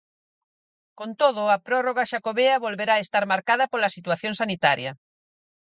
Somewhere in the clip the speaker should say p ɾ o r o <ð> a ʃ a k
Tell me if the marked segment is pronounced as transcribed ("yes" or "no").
no